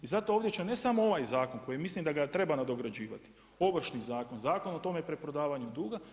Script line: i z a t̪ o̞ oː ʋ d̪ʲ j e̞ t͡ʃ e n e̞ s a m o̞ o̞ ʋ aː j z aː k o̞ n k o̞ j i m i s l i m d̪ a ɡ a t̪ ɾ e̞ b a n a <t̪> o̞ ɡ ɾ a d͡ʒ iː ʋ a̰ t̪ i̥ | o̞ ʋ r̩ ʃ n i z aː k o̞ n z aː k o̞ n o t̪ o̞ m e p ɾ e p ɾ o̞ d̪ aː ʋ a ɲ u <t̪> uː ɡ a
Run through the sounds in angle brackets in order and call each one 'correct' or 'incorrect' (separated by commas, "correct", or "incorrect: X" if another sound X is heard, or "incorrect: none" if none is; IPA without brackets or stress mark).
incorrect: d̪, incorrect: d̪